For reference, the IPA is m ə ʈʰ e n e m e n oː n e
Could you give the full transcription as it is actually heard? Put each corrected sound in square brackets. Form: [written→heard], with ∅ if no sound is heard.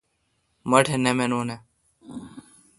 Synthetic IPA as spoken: m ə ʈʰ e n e m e n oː n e